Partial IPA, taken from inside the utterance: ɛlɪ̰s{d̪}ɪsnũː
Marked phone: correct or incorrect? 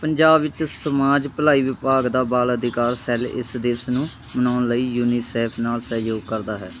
correct